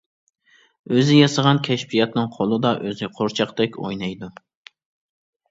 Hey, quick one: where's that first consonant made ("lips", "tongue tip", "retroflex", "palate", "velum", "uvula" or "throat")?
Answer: tongue tip